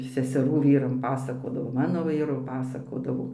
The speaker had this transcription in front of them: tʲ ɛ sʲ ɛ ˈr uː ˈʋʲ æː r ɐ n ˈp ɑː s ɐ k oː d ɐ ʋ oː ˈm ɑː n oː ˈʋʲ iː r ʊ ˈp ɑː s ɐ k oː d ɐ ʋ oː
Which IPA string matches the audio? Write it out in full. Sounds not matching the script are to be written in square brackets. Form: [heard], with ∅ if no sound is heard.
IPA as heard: [sʲ] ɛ sʲ ɛ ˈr uː ˈʋʲ [iː] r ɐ [m] ˈp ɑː s ɐ k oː d ɐ ʋ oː ˈm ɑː n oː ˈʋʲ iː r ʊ ˈp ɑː s ɐ k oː d ɐ ʋ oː